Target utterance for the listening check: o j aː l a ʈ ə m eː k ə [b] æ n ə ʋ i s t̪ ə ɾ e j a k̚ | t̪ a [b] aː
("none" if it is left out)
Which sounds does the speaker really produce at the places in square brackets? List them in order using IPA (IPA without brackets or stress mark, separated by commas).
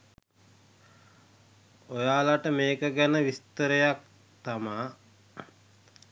ɡ, m